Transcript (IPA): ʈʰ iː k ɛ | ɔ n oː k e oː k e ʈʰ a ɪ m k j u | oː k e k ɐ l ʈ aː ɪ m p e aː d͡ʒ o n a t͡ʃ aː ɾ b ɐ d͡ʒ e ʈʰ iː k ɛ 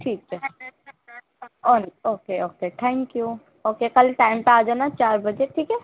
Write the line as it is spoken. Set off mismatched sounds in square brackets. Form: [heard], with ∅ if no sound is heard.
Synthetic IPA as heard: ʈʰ iː k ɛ | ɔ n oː k e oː k e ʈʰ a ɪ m k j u | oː k e k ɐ l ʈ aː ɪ m p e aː d͡ʒ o n a t͡ʃ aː ɾ b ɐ d͡ʒ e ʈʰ iː k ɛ